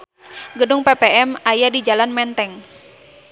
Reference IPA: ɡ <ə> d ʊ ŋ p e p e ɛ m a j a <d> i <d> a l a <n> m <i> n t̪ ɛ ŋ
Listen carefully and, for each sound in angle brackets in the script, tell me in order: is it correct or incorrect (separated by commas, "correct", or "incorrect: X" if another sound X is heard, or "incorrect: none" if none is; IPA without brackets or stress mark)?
correct, correct, incorrect: d͡ʒ, correct, incorrect: ɛ